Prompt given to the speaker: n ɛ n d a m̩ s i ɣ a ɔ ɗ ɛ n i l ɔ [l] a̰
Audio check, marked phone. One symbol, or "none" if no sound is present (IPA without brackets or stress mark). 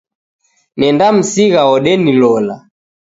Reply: l